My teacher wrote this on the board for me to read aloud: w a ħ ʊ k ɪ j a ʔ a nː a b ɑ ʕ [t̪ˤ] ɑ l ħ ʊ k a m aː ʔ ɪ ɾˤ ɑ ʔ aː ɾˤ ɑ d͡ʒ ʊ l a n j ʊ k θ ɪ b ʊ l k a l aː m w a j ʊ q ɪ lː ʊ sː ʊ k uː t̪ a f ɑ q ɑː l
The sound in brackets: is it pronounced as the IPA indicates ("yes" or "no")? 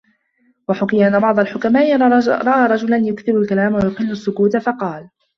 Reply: no